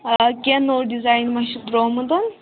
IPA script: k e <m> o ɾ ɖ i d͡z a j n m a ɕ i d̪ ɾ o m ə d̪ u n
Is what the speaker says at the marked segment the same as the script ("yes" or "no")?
no